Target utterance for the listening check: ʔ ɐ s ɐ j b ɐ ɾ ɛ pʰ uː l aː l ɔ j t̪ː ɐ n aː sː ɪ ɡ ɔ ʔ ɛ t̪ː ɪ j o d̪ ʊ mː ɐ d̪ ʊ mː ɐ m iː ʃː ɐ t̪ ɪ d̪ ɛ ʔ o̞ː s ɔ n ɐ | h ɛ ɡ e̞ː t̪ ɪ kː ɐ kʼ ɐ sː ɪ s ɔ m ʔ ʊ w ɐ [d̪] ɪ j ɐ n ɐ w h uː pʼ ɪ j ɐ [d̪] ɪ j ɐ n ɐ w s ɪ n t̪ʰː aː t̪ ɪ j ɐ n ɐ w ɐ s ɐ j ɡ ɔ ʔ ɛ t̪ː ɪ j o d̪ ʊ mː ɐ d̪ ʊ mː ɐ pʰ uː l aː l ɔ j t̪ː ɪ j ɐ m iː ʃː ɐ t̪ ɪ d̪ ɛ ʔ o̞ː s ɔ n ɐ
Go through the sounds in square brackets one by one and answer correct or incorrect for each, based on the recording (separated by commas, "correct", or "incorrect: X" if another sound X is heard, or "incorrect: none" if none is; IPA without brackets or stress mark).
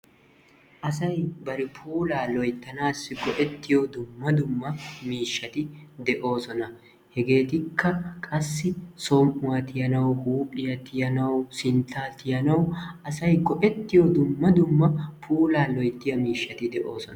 incorrect: t̪, incorrect: t̪